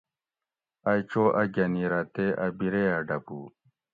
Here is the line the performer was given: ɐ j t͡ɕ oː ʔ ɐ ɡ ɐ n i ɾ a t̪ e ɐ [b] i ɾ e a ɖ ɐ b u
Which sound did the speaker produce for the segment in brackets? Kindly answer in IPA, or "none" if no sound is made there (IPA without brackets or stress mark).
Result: b